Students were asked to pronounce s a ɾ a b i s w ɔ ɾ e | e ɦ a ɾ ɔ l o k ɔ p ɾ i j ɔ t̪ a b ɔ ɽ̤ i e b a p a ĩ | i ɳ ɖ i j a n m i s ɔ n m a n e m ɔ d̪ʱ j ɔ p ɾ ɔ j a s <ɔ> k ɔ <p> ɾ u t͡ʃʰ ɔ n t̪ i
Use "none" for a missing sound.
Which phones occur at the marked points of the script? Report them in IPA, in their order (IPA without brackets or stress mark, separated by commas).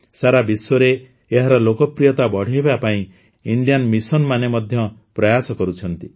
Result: ɔ, none